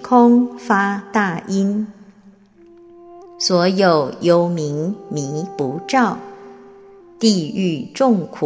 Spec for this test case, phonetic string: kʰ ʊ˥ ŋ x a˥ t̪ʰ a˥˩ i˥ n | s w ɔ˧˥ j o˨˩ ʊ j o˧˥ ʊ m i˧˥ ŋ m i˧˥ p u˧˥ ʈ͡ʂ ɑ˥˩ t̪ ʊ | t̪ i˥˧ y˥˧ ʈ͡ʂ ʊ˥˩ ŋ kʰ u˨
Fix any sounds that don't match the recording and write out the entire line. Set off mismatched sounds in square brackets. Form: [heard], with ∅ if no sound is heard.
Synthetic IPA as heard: kʰ ʊ˥ ŋ [f] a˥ [t̪] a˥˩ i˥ n | s w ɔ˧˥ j o˨˩ ʊ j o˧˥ ʊ m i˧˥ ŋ m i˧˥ p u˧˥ ʈ͡ʂ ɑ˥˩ [∅] ʊ | t̪ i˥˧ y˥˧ ʈ͡ʂ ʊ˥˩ ŋ kʰ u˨